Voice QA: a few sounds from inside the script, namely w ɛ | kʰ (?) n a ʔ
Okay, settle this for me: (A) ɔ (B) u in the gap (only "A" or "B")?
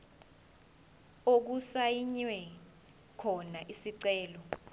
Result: A